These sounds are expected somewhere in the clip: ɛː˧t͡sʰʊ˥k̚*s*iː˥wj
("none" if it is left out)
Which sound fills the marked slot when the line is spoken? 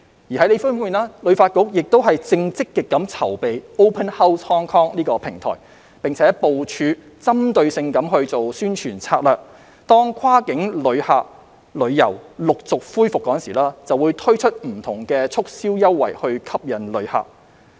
s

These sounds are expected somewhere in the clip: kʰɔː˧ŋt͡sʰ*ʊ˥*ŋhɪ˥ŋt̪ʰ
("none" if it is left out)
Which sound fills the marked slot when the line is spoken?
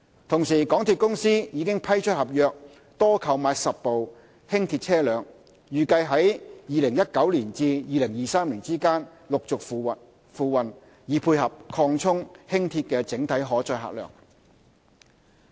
ʊ˥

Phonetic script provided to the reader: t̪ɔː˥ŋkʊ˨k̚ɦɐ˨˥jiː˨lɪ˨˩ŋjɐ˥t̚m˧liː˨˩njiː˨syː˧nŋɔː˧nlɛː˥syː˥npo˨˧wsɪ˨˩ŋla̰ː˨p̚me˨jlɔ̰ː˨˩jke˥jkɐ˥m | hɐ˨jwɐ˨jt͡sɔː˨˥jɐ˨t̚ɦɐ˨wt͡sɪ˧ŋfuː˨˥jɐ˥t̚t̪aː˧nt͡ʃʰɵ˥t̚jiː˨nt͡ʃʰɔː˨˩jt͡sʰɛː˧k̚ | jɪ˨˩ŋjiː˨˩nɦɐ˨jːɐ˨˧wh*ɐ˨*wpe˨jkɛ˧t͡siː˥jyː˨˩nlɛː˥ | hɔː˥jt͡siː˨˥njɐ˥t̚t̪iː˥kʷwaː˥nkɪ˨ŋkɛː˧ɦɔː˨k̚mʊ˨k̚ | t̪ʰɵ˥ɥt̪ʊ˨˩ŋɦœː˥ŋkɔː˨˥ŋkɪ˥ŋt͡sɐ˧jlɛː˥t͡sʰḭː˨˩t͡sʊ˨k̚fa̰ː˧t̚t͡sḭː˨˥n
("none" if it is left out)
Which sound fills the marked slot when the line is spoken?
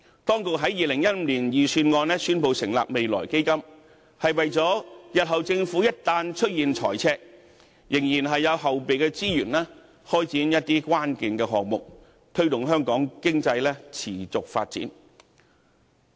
ɐ˨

